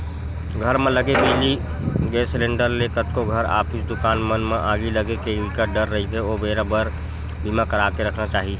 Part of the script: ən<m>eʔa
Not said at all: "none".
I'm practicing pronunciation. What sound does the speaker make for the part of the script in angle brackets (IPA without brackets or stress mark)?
m